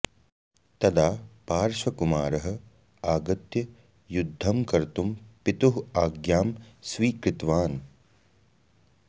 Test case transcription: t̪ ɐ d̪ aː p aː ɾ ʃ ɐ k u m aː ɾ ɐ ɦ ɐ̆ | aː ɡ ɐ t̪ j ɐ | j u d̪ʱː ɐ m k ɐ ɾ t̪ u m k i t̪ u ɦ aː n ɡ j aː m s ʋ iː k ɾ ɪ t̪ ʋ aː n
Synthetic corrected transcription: t̪ ɐ d̪ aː p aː ɾ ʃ ɐ k u m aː ɾ ɐ ɦ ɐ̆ | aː ɡ ɐ t̪ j ɐ | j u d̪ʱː ɐ m k ɐ ɾ t̪ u m p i t̪ u ɦ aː ɡ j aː m s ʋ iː k ɾ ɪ t̪ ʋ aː n